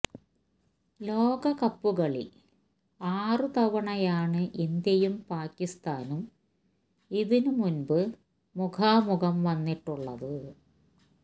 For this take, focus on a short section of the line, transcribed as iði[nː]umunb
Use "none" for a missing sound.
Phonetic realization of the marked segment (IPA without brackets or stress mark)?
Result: n